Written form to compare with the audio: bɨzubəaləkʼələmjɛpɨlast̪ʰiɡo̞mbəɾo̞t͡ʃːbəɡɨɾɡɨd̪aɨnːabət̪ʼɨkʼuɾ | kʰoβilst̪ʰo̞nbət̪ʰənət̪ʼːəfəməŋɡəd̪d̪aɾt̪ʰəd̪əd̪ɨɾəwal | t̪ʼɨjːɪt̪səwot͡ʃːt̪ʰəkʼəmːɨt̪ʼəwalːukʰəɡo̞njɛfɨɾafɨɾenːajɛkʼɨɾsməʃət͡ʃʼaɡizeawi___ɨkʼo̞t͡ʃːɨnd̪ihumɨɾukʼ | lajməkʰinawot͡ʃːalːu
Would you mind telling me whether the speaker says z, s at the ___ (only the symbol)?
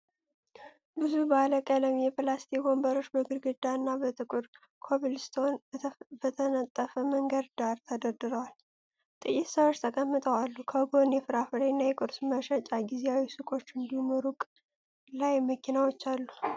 s